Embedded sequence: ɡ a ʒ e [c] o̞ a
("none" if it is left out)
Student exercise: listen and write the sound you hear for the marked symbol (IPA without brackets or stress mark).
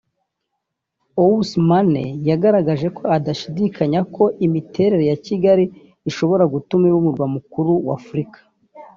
k